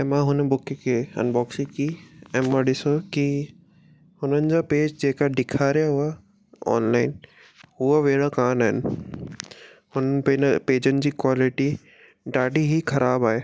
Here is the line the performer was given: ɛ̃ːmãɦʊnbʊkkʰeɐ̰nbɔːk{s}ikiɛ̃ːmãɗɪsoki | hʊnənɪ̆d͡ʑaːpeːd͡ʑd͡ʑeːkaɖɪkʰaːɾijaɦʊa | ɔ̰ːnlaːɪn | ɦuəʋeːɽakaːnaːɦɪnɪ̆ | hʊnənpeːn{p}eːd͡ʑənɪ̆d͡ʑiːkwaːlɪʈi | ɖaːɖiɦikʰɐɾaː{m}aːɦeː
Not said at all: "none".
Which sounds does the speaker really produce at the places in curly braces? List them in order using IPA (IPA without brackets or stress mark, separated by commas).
s, p, b